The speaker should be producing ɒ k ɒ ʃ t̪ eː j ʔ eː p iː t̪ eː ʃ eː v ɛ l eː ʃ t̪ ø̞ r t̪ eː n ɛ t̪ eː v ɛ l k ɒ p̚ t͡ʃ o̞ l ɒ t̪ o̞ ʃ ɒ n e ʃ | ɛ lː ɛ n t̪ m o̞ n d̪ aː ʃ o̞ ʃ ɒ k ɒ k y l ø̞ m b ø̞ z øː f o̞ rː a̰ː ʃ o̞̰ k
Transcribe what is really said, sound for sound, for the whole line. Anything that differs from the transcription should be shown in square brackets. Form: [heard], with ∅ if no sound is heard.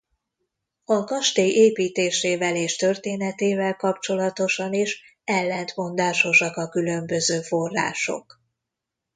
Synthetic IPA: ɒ k ɒ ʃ t̪ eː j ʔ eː p iː t̪ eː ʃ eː v ɛ l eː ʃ t̪ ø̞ r t̪ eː n ɛ t̪ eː v ɛ l k ɒ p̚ t͡ʃ o̞ l ɒ t̪ o̞ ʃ ɒ n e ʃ | ɛ lː ɛ n t̪ m o̞ n d̪ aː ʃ o̞ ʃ ɒ k ɒ k y l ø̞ m b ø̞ z øː f o̞ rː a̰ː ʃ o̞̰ k